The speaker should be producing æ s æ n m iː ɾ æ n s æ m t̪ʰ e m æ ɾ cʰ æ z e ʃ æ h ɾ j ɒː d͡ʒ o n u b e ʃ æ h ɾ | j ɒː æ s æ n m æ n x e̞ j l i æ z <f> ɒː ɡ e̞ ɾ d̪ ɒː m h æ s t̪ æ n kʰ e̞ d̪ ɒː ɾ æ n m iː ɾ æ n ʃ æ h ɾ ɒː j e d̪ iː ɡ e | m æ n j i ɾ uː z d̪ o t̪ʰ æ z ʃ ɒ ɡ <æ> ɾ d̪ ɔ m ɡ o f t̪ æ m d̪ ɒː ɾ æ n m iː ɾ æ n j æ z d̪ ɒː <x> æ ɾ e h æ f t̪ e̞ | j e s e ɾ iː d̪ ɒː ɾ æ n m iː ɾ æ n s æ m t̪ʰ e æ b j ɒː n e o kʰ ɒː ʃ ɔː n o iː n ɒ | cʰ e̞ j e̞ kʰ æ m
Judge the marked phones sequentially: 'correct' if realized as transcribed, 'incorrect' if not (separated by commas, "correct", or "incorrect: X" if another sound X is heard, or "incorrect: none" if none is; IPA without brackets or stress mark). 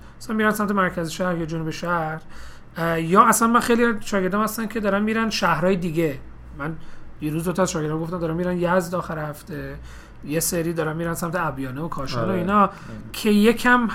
incorrect: ʃ, incorrect: e, correct